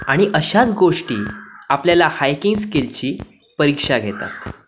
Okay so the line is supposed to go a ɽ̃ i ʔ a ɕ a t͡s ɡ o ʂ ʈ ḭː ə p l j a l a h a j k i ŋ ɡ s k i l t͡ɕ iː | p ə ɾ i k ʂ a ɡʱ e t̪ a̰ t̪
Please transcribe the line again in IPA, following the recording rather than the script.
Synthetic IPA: a ɽ̃ i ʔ ə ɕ a t͡s ɡ o ʂ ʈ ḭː a p l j a l a h a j k i ŋ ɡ s k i l t͡ɕ iː | p ə ɾ i k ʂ a ɡʱ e t̪ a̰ t̪